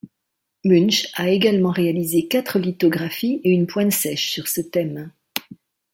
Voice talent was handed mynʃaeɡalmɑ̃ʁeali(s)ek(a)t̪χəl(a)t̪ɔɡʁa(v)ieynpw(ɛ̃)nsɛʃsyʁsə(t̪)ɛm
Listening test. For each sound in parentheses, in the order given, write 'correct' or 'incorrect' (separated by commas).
incorrect, correct, incorrect, incorrect, correct, correct